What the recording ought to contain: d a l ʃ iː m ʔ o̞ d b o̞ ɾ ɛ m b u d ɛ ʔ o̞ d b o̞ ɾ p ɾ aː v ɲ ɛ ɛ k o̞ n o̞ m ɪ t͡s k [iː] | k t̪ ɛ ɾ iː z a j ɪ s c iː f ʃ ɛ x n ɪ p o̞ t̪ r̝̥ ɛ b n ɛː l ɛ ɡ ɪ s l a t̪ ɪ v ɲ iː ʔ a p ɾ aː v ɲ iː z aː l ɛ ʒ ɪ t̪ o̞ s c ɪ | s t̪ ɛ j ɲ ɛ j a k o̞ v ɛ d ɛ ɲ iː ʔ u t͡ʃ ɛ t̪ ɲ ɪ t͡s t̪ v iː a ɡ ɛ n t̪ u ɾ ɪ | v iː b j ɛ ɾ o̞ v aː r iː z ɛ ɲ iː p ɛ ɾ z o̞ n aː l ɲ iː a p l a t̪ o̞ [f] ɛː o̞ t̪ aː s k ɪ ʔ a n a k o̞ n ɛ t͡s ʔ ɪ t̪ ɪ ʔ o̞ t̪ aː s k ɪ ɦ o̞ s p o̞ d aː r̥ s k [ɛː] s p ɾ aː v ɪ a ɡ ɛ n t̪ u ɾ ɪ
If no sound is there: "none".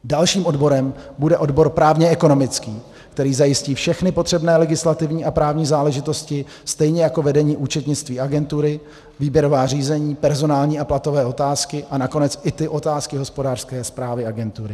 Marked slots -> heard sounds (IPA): iː, v, ɛː

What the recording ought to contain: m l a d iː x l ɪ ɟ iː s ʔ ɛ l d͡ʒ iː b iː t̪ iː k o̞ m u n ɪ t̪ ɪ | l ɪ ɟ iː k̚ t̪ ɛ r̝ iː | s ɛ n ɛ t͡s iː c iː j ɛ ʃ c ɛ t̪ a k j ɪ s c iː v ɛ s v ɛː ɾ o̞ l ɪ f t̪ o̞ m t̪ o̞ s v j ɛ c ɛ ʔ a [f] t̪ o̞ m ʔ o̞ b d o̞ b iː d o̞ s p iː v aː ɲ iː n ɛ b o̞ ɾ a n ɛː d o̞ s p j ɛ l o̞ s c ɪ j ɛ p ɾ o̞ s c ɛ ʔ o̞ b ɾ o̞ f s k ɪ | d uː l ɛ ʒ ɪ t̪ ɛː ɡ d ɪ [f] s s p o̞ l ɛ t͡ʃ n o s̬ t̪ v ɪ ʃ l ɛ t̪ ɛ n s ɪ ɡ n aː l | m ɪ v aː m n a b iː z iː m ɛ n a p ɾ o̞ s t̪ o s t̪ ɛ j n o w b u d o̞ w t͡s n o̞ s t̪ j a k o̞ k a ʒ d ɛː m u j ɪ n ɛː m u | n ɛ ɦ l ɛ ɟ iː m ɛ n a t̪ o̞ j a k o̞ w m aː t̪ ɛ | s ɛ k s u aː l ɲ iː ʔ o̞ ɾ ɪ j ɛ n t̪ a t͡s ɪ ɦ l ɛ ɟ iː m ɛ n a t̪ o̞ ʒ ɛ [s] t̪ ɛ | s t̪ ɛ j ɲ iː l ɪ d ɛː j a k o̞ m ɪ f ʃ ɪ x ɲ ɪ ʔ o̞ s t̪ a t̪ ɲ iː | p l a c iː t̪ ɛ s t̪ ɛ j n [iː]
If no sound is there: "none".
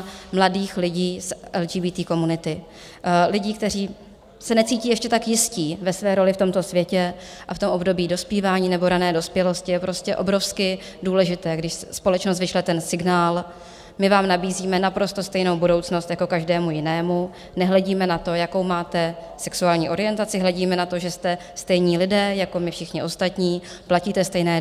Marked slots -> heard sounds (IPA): f, ʃ, s, ɛː

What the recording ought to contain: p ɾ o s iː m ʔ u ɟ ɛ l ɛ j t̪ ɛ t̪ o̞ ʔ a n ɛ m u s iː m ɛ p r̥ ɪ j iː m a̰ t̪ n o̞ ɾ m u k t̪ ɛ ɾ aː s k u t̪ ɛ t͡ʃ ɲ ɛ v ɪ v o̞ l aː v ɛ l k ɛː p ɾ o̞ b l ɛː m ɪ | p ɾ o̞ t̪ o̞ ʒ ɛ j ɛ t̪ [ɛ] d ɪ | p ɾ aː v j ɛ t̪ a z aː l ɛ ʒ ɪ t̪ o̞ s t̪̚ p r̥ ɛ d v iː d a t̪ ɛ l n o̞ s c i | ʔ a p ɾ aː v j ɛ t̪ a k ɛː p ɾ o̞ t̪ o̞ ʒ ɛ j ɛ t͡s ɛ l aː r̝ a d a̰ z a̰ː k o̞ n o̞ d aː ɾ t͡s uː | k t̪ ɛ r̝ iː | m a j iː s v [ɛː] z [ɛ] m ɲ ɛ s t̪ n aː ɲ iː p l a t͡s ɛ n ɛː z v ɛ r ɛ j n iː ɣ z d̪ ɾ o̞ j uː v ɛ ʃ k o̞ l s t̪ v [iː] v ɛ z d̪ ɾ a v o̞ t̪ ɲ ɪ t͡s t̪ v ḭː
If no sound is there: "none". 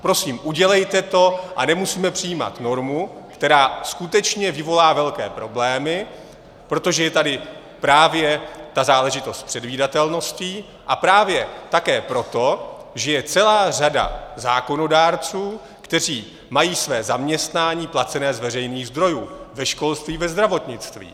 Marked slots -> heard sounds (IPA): a, ɛː, a, iː

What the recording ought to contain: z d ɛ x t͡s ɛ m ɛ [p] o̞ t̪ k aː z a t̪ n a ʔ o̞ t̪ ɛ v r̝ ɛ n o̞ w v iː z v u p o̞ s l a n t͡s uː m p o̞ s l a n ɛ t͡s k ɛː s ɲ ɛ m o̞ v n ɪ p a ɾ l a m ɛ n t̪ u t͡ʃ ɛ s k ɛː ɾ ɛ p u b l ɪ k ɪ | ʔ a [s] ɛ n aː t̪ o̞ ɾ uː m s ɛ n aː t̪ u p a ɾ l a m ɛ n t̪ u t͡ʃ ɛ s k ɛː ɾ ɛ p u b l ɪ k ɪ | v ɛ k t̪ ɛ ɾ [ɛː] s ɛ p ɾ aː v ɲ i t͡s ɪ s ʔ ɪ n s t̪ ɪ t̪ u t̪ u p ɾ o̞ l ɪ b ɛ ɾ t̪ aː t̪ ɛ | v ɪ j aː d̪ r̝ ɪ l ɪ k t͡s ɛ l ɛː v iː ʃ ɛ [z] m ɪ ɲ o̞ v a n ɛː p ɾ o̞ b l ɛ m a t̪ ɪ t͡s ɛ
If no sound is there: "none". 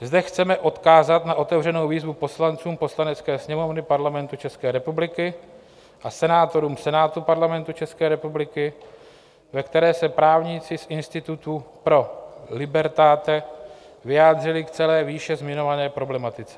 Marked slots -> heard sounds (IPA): ʔ, s, ɛː, z

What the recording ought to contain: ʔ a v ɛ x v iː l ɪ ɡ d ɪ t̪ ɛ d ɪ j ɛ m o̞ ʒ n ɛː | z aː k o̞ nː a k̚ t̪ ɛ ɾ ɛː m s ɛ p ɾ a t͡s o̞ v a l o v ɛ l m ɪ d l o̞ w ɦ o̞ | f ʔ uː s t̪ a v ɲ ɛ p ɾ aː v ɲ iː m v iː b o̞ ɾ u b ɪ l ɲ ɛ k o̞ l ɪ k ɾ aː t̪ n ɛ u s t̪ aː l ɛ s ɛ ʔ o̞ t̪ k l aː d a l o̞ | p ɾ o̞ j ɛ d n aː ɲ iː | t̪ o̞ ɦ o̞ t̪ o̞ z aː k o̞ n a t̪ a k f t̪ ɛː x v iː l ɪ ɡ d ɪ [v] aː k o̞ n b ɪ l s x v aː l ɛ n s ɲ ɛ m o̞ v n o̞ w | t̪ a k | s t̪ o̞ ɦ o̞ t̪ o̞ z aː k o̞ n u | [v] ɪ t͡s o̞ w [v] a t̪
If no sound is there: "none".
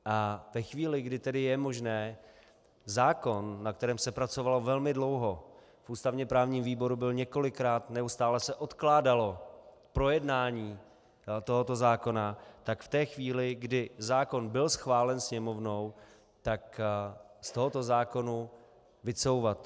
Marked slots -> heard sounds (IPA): z, v, v

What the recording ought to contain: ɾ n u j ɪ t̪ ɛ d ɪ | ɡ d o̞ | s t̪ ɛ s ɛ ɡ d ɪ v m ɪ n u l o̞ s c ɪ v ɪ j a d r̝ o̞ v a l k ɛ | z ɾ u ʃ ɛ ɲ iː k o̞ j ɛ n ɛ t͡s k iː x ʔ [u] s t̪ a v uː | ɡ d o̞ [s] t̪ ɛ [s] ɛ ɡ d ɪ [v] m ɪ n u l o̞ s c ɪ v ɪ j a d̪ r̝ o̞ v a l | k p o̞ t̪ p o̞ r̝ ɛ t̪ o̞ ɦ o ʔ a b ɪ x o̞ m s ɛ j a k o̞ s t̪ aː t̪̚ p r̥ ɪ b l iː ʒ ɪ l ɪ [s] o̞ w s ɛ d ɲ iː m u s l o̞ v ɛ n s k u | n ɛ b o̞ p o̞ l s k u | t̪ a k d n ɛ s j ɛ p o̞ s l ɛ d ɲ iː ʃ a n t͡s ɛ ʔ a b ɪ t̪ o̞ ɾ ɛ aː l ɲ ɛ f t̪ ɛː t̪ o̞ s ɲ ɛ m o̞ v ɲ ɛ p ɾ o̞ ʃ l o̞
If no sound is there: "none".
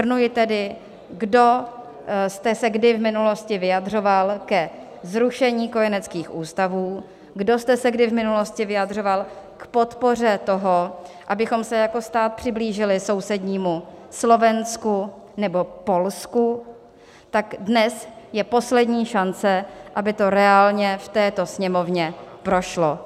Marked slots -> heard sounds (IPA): uː, s, s, v, s

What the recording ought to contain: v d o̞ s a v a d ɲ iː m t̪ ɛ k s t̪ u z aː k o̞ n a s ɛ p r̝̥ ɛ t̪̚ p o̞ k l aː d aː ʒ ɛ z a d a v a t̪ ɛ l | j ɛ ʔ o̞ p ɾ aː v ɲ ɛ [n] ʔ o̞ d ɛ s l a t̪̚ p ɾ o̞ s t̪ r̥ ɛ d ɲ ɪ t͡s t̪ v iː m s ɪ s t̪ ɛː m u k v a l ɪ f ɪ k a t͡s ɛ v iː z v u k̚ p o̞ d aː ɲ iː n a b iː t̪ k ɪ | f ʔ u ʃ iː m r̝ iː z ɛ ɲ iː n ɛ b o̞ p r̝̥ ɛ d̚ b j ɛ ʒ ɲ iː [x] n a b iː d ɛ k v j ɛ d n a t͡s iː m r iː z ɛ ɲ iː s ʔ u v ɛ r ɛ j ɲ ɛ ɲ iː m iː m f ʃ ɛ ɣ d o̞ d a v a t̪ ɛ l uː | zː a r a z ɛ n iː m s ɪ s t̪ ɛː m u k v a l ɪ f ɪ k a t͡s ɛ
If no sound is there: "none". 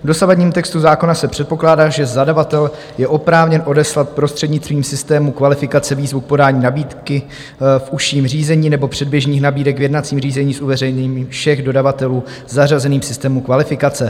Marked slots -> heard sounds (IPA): n, x

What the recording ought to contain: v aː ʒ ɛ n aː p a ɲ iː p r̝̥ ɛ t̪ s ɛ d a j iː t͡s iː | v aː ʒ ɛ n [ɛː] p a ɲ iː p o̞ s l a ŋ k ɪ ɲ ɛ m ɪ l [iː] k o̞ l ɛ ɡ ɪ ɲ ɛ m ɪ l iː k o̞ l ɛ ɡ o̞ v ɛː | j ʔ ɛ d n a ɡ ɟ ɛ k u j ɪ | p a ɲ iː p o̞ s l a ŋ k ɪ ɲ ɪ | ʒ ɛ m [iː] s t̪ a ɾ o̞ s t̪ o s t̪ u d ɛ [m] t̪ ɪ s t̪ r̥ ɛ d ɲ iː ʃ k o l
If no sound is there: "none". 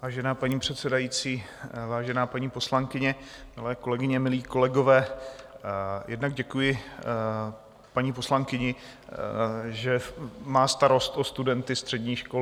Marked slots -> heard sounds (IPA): aː, ɛː, aː, n

